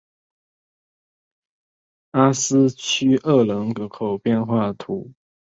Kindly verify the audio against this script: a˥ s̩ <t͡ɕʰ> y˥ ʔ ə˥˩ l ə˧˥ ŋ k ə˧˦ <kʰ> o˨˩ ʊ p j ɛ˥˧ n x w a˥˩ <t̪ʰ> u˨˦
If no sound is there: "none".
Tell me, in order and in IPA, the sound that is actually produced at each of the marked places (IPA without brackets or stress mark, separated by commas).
t͡ɕʰ, kʰ, t̪ʰ